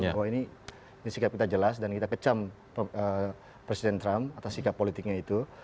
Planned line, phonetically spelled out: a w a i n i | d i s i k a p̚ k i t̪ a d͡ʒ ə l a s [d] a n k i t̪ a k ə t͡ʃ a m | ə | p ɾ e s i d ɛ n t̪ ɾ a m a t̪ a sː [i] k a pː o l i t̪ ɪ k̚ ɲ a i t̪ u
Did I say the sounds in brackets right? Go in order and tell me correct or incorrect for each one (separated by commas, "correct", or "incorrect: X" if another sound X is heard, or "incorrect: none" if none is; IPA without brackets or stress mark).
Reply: correct, correct